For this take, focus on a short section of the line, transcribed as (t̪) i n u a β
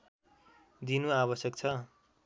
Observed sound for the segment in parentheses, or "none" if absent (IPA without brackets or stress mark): d̪